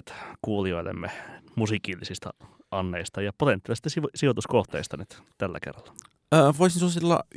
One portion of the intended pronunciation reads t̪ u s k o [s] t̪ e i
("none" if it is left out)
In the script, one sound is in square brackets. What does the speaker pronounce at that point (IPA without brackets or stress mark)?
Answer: h